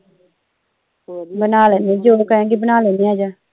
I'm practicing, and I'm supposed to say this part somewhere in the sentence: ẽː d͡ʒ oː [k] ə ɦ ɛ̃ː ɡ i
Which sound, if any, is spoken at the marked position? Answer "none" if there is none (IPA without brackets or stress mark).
k